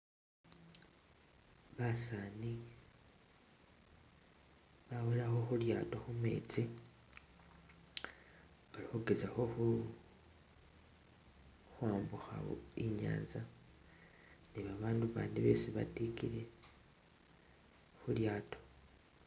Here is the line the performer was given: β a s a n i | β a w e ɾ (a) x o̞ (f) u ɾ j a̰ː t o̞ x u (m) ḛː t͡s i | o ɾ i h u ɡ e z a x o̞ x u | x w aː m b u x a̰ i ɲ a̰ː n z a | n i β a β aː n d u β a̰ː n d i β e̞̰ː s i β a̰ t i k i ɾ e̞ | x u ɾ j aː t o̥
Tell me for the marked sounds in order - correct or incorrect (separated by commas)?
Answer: correct, incorrect, correct